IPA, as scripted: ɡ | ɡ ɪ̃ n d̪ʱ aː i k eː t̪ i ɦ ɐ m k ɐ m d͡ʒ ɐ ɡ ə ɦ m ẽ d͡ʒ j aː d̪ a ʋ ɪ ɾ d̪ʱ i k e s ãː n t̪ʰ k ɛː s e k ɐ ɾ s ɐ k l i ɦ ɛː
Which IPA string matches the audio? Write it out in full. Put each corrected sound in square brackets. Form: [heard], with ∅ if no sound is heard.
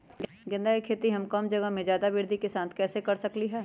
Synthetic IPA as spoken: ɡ | ɡ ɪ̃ n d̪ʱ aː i [kʰ] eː t̪ i ɦ ɐ m k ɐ m d͡ʒ ɐ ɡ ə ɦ m ẽ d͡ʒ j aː d̪ a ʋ ɪ ɾ d̪ʱ i k e s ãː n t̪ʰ k ɛː s e k ɐ ɾ s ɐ k l i ɦ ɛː